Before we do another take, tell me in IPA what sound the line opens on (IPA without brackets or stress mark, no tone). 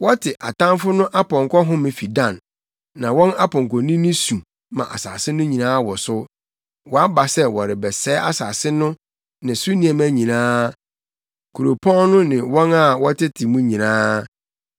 w